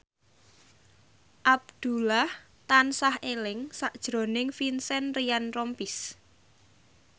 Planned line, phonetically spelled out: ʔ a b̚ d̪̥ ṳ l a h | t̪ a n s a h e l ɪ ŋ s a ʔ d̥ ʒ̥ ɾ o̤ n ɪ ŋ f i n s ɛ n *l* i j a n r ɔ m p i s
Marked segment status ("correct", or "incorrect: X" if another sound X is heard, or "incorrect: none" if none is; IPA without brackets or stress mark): incorrect: r